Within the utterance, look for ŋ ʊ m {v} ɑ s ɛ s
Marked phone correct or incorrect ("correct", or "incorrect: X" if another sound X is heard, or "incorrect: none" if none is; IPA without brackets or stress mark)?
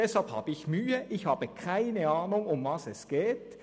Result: correct